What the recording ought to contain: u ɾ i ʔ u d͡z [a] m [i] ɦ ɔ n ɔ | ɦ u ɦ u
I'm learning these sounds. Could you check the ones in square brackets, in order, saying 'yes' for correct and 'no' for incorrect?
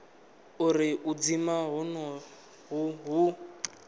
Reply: no, no

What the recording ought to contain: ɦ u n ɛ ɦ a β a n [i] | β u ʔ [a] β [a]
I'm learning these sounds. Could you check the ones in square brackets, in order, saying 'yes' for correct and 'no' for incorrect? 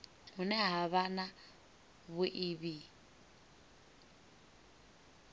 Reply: no, no, no

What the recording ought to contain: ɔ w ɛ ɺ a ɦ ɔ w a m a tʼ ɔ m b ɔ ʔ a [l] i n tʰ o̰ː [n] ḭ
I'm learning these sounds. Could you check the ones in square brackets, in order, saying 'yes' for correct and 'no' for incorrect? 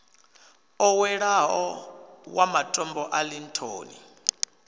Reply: yes, yes

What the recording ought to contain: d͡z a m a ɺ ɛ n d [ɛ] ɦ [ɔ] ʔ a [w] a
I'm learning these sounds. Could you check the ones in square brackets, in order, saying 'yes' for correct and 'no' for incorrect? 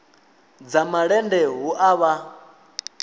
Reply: yes, no, no

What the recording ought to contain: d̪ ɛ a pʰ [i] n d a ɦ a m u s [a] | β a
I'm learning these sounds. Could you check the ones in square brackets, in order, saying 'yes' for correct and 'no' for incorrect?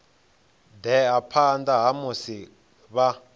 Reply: no, no

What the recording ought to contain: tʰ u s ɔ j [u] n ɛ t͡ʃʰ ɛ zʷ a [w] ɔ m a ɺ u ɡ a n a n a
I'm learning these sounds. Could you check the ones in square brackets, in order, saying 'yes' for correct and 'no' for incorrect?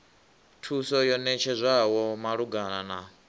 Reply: no, yes

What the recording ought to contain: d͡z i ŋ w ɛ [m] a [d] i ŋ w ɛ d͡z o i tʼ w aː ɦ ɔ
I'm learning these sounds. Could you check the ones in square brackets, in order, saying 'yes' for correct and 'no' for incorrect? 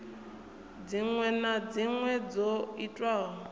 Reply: no, no

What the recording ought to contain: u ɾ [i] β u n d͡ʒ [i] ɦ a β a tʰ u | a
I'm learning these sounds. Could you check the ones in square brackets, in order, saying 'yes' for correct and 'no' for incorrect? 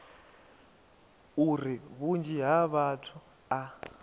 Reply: yes, yes

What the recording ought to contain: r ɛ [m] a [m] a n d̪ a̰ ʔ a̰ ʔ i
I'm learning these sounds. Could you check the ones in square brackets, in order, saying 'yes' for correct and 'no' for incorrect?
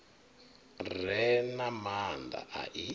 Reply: no, yes

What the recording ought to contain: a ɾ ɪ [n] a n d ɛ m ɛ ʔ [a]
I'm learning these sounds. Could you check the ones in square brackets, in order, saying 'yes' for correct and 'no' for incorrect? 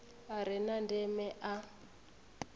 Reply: yes, yes

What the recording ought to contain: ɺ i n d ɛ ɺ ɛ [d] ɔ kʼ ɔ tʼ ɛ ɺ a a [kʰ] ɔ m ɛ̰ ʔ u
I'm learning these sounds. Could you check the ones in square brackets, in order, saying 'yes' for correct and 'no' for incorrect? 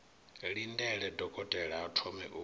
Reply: yes, no

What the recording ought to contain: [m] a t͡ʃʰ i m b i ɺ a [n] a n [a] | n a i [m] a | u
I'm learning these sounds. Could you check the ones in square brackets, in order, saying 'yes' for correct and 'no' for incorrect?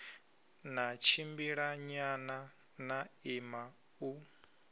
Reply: no, no, yes, yes

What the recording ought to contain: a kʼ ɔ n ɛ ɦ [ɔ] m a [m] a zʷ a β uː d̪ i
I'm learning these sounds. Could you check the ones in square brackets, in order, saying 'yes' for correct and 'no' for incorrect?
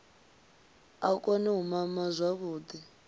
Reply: no, yes

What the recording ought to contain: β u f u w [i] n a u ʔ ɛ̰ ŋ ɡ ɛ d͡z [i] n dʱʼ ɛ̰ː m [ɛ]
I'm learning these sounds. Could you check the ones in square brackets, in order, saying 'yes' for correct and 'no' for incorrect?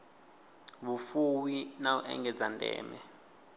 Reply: yes, no, yes

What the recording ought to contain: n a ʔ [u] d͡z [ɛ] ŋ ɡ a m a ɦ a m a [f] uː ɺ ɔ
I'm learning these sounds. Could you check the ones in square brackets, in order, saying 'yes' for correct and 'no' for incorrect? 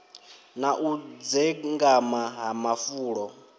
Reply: yes, yes, yes

